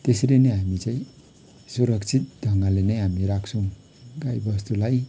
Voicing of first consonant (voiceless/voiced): voiceless